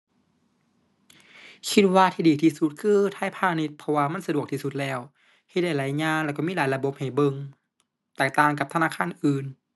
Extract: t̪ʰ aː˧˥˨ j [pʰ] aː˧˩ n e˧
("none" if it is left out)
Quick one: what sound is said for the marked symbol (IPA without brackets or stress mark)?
pʰ